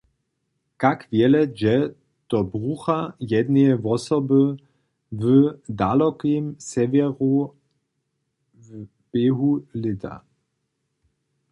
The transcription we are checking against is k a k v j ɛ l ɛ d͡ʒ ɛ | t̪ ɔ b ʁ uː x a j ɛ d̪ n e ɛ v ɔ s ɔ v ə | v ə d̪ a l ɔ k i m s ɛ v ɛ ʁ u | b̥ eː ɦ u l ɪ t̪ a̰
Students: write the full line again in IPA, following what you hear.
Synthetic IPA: k a k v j ɛ l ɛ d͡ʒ ɛ | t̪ ɔ b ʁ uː x a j ɛ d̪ n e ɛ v ɔ s ɔ b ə | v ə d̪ a l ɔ k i m s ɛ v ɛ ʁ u | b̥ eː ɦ u l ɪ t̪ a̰